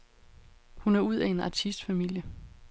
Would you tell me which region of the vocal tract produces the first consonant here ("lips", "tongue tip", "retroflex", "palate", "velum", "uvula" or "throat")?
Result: throat